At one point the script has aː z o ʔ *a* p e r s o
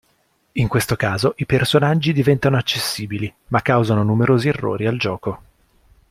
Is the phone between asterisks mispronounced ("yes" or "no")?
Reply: yes